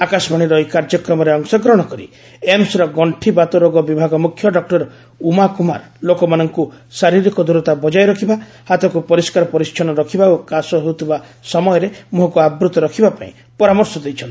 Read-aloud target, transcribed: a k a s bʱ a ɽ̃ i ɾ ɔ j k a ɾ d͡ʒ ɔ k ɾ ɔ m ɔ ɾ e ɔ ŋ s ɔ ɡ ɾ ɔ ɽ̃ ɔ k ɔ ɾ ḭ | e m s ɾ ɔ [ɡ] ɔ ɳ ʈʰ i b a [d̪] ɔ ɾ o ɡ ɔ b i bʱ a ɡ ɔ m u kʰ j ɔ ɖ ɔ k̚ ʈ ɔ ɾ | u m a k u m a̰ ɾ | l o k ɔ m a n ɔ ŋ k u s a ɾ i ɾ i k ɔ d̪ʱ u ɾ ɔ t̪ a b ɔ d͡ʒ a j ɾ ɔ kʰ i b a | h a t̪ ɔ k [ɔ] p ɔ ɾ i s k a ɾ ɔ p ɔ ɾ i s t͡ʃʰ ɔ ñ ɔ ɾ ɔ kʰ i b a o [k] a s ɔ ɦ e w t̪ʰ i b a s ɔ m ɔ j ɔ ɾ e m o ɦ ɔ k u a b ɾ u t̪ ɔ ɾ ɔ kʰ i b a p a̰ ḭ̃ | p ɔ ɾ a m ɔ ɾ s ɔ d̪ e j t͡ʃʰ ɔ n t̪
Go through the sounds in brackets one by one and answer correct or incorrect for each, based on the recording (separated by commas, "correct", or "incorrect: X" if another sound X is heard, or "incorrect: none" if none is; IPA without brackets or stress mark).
correct, incorrect: t̪, incorrect: u, correct